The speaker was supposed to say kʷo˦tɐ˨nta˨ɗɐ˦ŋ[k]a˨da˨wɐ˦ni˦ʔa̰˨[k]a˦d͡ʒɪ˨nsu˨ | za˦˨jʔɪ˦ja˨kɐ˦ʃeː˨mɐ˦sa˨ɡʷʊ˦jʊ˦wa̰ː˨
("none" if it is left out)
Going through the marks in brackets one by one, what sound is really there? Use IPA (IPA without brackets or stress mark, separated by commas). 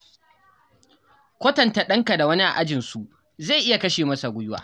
k, ʔ